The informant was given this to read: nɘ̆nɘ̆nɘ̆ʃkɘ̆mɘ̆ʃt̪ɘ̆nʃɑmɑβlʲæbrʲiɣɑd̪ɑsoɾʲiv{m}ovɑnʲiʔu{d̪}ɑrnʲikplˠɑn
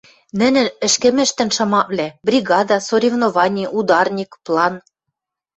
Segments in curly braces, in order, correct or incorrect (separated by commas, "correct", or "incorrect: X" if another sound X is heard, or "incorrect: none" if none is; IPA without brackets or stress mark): incorrect: n, correct